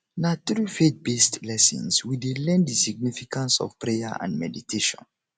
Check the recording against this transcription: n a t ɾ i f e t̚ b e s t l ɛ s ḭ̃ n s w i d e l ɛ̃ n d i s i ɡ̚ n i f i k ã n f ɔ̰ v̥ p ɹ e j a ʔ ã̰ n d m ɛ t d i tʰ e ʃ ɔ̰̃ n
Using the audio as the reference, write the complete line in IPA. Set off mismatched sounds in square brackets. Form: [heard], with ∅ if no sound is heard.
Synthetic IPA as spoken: n a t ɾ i f e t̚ b e s t l ɛ s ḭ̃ n s w i d e l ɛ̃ n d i s i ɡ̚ n i f i k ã n [s] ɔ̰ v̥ p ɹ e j a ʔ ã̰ n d m ɛ [∅] d i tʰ e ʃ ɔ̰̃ n